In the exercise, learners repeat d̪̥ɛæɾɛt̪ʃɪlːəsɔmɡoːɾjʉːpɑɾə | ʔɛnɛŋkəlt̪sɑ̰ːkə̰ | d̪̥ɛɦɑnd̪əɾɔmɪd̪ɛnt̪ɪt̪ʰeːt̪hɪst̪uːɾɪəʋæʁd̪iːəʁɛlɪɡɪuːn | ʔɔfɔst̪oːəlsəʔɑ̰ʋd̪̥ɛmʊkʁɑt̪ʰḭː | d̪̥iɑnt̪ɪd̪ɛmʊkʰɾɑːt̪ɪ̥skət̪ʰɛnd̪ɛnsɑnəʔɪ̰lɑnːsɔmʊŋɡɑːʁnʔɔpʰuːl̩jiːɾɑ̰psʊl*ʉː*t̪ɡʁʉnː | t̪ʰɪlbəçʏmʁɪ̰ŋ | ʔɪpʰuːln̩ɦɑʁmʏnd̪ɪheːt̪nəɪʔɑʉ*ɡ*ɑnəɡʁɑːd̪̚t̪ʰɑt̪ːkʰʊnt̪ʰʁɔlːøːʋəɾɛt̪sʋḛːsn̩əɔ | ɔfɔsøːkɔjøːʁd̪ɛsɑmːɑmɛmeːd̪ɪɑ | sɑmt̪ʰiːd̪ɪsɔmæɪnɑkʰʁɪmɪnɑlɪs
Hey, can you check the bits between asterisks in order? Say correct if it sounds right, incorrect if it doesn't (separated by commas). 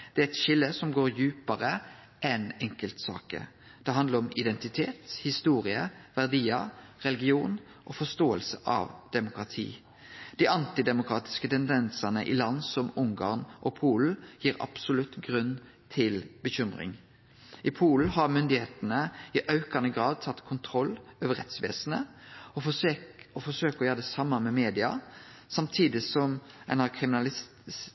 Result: incorrect, incorrect